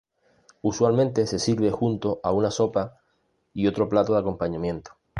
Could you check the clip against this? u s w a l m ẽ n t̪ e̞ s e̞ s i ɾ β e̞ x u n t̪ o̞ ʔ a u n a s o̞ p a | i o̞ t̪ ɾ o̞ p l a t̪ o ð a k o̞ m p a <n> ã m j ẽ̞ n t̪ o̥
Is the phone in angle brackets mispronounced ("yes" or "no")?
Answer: yes